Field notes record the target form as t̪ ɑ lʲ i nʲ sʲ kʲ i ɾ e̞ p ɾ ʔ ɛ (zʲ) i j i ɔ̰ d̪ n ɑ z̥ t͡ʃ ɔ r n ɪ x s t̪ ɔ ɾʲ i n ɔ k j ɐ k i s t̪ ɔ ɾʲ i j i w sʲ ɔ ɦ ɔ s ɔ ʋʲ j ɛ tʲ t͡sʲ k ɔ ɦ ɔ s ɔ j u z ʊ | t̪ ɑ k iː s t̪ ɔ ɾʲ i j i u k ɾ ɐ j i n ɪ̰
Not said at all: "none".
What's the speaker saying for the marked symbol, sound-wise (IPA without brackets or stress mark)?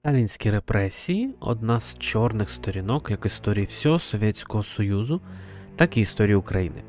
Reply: sʲ